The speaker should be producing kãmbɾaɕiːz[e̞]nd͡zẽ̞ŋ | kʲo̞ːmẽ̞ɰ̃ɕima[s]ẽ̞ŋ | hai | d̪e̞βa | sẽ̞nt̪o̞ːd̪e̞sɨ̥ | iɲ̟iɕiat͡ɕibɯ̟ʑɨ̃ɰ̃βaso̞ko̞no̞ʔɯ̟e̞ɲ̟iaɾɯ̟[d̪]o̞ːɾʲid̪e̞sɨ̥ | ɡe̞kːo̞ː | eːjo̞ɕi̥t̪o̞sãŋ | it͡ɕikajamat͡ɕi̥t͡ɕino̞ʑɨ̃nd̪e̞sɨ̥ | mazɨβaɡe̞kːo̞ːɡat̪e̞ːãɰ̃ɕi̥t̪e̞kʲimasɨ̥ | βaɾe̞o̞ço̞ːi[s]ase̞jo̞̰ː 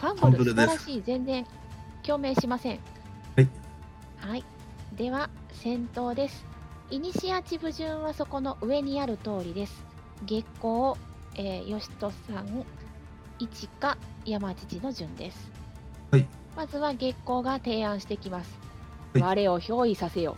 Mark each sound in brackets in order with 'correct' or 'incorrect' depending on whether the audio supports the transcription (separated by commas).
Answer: incorrect, correct, incorrect, correct